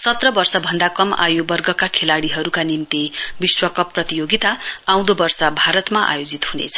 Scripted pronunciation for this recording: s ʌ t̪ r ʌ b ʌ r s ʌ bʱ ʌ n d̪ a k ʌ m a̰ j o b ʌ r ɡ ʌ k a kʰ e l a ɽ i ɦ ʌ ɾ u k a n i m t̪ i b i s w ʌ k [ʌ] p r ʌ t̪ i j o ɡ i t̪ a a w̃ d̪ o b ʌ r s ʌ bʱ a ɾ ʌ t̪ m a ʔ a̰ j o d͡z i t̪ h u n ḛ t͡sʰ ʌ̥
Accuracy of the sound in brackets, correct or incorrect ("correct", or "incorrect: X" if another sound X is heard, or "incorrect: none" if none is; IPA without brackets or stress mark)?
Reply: correct